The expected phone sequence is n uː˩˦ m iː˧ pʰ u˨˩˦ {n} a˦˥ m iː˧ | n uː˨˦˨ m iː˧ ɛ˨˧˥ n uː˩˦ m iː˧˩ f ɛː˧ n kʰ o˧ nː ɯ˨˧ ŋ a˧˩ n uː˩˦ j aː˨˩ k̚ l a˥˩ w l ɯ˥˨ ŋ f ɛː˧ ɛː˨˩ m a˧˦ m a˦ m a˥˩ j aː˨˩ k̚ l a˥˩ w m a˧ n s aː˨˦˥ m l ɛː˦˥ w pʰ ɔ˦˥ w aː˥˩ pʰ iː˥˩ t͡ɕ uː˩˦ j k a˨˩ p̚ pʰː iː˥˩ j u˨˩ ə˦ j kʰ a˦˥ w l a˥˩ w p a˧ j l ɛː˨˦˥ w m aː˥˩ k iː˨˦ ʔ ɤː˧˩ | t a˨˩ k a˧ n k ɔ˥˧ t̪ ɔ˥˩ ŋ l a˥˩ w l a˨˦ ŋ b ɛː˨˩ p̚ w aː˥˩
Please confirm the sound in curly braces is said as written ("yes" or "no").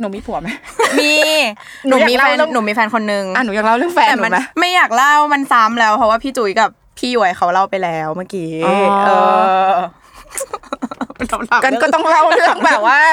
no